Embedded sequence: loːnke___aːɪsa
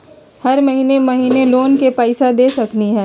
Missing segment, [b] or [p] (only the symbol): p